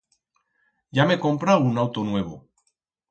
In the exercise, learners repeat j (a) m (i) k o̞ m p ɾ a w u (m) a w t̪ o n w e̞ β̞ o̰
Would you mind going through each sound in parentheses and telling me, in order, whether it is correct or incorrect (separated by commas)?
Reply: correct, incorrect, incorrect